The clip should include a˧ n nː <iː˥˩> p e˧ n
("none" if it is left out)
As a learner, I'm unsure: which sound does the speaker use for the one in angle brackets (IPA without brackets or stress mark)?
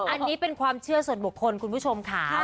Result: iː˦˥